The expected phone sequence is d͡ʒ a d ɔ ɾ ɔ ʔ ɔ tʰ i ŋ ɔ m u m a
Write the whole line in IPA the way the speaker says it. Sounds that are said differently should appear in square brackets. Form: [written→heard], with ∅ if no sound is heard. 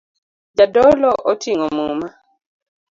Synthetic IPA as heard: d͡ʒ a d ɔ [ɾ→l] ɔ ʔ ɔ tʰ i ŋ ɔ m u m a